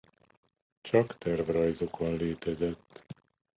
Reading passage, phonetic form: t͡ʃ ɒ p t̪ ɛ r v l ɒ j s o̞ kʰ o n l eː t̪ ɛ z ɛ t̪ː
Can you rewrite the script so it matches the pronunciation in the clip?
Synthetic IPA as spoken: t͡ʃ ɒ k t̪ ɛ r v r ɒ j z o̞ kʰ o n l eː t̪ ɛ z ɛ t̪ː